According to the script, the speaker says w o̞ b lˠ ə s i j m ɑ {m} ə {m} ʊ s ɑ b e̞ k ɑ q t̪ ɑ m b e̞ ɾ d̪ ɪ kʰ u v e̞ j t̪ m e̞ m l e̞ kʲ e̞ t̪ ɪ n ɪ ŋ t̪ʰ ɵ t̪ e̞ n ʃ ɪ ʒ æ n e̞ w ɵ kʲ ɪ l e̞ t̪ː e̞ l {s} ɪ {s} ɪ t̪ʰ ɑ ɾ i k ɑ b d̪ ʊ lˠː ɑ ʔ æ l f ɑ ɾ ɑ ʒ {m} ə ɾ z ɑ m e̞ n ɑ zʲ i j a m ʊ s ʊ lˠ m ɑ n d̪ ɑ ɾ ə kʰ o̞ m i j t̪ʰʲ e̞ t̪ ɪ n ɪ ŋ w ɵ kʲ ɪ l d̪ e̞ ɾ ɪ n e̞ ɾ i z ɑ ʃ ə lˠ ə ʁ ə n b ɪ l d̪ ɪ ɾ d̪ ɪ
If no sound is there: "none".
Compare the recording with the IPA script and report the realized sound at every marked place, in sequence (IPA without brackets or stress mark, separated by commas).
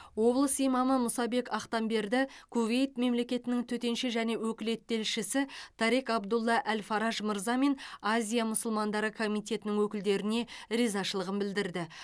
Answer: m, m, ʃ, s, m